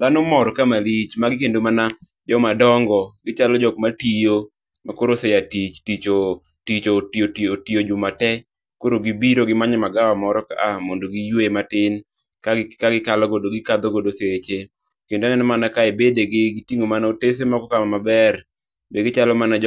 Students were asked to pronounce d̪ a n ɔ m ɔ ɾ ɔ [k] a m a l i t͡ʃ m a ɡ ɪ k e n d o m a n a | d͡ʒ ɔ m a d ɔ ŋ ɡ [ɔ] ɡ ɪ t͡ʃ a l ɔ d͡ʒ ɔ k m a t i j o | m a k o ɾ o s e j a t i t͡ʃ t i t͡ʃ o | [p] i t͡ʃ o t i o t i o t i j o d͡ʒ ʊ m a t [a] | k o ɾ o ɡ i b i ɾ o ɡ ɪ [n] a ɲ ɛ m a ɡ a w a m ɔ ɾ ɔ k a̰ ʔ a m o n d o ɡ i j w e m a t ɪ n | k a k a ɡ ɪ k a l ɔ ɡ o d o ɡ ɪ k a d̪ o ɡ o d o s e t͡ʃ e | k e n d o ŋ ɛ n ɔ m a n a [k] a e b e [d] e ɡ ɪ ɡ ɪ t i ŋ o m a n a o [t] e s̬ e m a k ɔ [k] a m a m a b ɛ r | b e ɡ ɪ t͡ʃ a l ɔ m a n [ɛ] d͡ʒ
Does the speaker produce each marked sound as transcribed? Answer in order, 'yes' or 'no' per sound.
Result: yes, yes, no, no, no, yes, yes, yes, yes, no

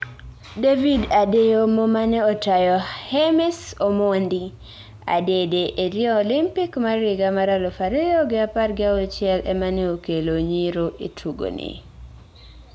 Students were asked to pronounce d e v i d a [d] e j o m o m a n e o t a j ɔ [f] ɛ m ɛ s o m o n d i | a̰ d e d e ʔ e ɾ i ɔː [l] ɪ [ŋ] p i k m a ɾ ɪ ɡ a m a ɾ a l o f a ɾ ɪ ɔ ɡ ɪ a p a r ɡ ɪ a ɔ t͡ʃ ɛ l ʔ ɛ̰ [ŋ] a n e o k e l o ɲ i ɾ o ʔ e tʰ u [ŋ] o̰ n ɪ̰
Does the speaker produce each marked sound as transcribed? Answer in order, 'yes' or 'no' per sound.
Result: yes, no, yes, no, no, no

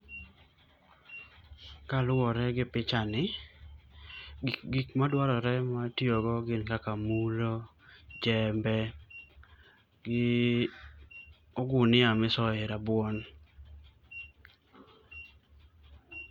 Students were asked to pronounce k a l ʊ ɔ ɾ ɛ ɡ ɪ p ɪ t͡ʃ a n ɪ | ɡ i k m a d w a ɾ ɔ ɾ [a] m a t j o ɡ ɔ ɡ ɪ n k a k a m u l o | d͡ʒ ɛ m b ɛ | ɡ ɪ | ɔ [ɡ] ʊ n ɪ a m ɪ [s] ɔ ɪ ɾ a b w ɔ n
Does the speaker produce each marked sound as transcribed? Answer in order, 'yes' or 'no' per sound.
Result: no, yes, yes

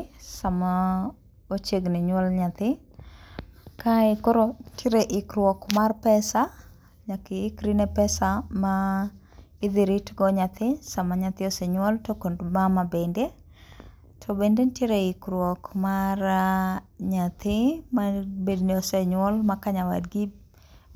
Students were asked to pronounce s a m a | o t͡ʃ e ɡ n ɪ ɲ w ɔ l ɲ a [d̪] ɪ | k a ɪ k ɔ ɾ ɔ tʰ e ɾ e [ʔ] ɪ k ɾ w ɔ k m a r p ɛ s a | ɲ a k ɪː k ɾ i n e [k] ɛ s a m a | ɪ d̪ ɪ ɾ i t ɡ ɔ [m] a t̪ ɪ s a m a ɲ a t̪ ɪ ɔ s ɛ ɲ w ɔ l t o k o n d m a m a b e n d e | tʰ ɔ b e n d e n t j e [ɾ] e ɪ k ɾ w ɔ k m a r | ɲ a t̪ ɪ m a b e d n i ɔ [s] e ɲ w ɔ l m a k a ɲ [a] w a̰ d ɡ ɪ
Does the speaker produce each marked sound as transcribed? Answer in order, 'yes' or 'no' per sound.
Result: no, yes, no, no, yes, yes, yes

